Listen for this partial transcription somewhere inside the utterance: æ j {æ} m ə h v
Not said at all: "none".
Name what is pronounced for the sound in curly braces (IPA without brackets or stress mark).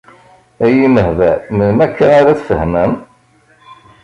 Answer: i